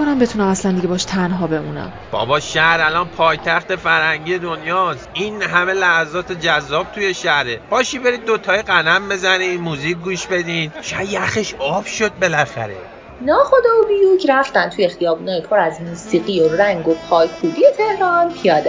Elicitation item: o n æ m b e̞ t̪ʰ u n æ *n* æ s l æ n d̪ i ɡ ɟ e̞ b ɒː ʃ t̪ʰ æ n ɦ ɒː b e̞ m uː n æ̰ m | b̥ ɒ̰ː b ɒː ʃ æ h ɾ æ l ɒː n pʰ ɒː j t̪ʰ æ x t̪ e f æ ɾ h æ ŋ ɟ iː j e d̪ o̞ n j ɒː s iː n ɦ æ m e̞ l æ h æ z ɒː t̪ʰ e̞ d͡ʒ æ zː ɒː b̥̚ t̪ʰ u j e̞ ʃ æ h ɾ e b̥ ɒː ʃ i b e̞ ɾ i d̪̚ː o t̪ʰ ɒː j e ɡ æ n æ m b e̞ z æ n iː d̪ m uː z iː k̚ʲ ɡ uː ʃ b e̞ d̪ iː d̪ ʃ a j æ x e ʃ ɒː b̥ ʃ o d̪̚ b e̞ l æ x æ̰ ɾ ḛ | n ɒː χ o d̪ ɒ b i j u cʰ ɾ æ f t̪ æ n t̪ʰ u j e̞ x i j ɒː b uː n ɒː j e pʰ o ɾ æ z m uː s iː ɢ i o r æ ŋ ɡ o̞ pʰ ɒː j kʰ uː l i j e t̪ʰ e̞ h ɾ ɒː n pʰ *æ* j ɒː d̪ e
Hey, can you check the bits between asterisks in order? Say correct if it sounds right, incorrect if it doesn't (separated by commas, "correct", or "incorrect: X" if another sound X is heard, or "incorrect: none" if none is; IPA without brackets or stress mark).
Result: incorrect: m, incorrect: i